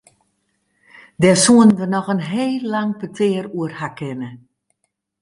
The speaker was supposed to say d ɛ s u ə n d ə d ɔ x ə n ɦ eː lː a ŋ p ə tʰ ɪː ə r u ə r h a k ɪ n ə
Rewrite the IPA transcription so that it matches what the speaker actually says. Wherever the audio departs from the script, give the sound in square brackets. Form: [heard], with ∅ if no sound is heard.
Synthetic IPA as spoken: d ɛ s u ə n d ə [n] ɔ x ə n ɦ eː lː a ŋ p ə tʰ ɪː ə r u ə r h a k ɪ n ə